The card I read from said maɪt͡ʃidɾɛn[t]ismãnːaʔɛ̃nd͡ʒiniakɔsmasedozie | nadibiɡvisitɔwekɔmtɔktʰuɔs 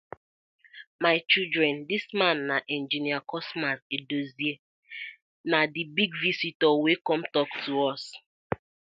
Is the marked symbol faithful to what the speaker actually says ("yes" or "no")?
no